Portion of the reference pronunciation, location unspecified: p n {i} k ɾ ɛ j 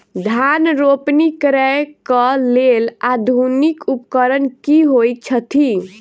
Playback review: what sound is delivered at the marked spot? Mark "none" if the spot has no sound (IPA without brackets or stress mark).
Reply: i